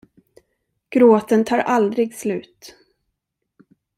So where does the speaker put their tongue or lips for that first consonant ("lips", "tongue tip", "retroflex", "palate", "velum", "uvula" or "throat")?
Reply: velum